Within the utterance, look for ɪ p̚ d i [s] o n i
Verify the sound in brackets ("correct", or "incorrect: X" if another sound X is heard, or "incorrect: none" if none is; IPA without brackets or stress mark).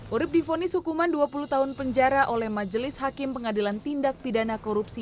incorrect: f